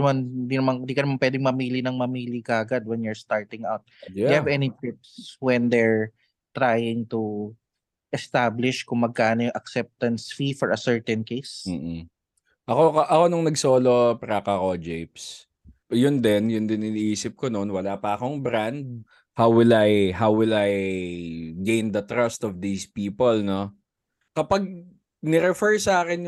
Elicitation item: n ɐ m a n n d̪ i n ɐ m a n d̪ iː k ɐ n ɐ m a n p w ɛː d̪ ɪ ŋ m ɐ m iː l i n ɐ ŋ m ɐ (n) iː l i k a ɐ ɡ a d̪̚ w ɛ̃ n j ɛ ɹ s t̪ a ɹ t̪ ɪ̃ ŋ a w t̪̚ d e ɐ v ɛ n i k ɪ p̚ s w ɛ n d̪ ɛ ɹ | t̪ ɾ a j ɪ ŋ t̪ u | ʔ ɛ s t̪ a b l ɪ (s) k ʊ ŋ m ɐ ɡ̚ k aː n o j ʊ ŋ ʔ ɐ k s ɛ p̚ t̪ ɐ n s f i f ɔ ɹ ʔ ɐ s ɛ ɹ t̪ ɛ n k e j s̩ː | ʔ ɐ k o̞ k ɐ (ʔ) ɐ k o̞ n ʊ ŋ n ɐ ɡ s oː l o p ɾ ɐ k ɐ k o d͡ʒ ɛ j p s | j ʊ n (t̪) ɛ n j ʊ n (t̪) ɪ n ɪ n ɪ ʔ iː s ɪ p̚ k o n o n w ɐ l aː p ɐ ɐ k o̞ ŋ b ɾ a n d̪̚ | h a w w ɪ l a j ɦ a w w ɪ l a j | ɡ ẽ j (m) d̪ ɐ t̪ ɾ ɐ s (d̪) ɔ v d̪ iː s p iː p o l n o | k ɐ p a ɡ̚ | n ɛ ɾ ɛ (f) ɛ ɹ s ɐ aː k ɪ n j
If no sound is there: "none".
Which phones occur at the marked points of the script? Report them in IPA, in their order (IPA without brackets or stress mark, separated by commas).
m, ʃ, ʔ, d̪, d̪, n, t̪, f